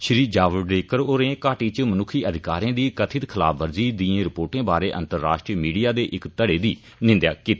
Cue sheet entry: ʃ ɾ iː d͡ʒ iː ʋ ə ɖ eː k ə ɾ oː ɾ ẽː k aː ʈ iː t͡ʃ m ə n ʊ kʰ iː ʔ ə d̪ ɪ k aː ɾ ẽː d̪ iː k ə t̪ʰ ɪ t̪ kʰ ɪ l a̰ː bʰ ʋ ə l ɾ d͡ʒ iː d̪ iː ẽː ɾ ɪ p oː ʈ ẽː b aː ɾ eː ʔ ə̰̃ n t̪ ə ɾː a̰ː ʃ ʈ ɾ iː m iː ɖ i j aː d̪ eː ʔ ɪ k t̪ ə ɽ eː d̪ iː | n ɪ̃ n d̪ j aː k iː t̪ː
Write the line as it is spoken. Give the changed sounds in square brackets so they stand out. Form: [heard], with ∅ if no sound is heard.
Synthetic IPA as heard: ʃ ɾ iː d͡ʒ [aː] ʋ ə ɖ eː k ə ɾ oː ɾ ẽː k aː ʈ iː t͡ʃ m ə n ʊ kʰ iː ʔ ə d̪ ɪ k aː ɾ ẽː d̪ iː k ə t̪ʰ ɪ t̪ kʰ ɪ l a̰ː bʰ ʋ ə [∅] ɾ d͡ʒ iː d̪ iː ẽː ɾ ɪ p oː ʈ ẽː b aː ɾ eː ʔ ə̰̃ n t̪ ə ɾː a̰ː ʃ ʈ ɾ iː m iː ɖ i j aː d̪ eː ʔ ɪ k t̪ ə ɽ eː d̪ iː | n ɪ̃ n d̪ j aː k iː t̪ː